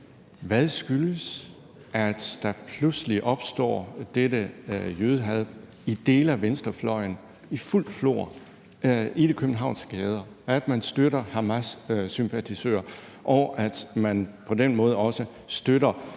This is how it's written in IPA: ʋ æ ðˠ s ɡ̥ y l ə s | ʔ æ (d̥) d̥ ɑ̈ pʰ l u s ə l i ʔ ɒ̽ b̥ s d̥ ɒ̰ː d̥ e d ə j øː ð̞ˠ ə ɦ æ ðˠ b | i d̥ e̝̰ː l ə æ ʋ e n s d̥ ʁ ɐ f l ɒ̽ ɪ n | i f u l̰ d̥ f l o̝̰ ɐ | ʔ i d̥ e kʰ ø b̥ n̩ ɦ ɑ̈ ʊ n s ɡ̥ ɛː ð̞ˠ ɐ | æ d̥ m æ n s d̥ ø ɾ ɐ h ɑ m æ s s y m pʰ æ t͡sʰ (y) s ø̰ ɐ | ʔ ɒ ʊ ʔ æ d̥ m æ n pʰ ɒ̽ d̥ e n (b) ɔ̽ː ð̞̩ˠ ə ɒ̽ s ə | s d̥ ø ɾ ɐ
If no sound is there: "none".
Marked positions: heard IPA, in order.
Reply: d̥, i, m

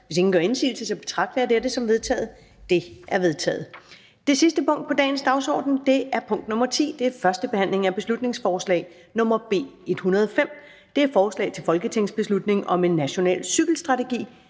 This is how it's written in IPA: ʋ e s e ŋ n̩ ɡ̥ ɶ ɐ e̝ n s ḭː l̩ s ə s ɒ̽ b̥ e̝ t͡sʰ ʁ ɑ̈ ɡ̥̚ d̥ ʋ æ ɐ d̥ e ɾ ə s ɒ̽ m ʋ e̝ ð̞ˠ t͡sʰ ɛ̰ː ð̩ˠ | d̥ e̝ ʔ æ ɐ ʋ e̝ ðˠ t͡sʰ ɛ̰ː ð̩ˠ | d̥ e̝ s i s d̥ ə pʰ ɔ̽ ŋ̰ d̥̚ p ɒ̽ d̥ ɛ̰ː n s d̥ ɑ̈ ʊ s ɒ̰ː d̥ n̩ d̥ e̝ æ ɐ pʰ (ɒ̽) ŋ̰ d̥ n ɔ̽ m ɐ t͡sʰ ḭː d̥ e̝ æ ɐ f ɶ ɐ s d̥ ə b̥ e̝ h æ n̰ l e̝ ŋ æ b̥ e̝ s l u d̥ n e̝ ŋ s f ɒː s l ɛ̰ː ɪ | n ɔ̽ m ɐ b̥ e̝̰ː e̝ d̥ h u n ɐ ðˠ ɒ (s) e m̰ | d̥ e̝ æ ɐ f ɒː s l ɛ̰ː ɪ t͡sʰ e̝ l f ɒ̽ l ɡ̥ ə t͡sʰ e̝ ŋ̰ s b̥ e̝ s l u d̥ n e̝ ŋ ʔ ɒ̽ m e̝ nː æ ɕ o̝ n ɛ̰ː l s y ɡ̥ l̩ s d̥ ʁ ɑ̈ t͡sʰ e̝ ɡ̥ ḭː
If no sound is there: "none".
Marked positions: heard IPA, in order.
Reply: ɔ̽, f

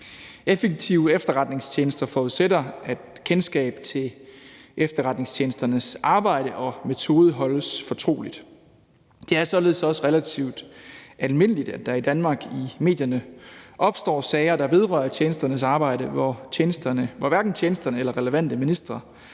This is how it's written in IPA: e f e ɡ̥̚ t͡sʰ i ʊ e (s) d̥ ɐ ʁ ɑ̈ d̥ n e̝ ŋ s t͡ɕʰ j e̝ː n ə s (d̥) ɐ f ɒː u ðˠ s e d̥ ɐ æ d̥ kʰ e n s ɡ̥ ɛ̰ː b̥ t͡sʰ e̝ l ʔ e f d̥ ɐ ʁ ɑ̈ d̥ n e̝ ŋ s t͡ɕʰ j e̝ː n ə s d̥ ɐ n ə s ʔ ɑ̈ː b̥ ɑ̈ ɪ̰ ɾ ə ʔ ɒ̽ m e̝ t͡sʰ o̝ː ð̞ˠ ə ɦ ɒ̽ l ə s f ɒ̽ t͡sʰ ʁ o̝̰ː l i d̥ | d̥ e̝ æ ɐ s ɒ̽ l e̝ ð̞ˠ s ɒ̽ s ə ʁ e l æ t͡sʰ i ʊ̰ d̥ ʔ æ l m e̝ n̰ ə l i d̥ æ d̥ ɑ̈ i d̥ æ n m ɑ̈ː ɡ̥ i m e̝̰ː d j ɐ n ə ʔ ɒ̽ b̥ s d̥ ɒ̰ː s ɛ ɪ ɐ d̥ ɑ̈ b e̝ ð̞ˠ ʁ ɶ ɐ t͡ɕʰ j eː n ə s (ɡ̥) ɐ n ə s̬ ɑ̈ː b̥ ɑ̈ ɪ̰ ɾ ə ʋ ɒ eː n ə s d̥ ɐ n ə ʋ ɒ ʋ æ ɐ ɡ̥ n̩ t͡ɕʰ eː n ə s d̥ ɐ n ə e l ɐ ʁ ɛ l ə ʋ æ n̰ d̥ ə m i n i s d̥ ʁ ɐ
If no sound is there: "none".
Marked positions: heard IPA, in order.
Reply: f, d̥, d̥

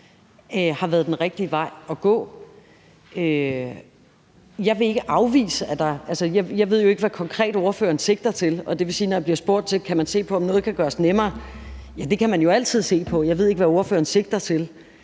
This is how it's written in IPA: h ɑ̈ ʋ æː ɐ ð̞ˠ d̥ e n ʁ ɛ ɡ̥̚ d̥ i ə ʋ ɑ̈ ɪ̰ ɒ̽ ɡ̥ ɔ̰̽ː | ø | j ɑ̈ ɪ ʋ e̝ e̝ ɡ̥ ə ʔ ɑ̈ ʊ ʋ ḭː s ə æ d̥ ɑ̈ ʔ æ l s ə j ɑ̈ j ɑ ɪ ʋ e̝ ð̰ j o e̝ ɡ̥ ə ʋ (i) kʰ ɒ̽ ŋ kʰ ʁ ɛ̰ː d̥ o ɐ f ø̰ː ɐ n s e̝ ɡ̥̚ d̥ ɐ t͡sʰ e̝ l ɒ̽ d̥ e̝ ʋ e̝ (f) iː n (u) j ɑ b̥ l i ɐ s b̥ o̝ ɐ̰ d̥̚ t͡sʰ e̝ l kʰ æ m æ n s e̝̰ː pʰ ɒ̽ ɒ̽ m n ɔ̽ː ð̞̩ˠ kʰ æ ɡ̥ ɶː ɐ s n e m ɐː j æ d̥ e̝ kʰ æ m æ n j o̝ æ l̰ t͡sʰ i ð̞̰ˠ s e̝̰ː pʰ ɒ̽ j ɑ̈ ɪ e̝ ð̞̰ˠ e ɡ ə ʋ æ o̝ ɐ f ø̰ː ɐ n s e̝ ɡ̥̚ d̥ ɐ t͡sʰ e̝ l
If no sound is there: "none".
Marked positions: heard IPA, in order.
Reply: æ, s, ɒ

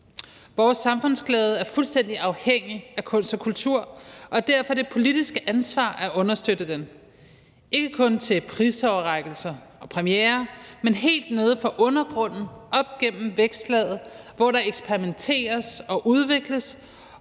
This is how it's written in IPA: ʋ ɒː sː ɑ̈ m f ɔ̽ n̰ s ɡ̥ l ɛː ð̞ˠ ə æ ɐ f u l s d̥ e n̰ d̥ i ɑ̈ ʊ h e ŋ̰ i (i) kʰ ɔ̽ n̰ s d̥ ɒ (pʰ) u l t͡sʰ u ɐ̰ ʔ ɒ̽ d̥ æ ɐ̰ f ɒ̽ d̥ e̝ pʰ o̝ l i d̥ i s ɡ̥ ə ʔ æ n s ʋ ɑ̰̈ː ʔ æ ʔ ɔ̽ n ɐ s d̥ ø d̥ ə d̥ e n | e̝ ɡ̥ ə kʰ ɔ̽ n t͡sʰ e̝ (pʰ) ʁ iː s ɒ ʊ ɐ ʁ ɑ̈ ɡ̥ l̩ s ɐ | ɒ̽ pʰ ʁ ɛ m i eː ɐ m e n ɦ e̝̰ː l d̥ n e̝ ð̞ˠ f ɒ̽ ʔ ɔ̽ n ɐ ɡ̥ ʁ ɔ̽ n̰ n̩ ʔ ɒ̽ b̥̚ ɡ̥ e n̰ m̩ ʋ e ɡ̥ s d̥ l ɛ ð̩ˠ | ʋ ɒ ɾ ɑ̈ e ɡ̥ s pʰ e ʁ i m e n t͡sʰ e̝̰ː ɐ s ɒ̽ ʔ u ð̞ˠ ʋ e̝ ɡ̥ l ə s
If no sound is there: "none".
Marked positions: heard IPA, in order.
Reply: æ, kʰ, pʰ

